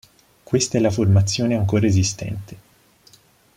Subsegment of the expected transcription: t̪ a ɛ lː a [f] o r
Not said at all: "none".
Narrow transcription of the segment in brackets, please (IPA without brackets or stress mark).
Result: f